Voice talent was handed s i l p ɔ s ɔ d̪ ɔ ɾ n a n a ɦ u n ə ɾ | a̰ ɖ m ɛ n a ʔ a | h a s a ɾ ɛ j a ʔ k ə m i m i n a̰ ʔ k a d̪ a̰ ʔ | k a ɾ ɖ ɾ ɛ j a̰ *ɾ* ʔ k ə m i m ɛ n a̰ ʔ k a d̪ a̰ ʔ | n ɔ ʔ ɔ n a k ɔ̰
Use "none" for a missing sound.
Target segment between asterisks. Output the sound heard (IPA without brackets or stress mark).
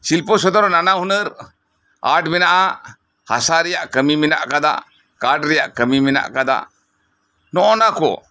none